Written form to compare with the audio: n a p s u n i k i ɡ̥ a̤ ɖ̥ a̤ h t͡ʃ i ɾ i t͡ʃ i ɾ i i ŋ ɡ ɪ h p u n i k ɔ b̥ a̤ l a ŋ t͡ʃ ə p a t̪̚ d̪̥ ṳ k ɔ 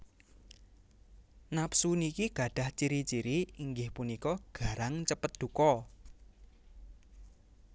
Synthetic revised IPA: n a p s u n i k i ɡ̥ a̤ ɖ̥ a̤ h t͡ʃ i ɾ i t͡ʃ i ɾ i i ŋ ɡ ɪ h p u n i k ɔ ɡ̥ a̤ ɾ a ŋ t͡ʃ ə p ə t̪̚ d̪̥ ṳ k ɔ